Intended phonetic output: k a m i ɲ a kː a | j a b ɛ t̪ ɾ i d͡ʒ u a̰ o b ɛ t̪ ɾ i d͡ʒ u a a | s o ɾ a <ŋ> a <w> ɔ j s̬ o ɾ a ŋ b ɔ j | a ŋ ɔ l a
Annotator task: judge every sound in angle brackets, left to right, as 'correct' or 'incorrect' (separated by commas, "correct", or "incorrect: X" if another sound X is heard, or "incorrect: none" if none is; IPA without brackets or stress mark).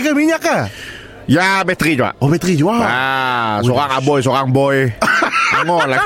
correct, incorrect: b